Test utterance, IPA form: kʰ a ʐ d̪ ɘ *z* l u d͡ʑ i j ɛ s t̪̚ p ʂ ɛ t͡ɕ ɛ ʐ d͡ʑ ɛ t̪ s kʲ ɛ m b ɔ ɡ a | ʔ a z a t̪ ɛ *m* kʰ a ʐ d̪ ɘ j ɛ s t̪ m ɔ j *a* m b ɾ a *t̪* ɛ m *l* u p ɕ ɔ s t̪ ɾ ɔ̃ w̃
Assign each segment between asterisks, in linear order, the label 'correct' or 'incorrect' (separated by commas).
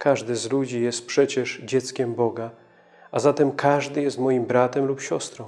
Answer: correct, correct, incorrect, correct, correct